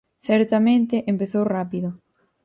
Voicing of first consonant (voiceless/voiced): voiceless